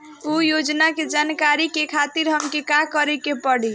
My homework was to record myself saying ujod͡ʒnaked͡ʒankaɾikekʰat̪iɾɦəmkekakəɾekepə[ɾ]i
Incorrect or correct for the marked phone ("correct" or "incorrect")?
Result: incorrect